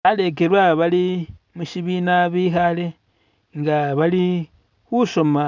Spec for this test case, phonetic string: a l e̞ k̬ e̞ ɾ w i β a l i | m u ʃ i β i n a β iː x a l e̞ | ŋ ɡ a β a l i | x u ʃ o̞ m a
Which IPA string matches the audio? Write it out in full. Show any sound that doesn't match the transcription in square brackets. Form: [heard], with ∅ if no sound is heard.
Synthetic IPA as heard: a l e̞ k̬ e̞ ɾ w [a] β a l i | m u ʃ i β i n a β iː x a l e̞ | ŋ ɡ a β a l i | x u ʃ o̞ m a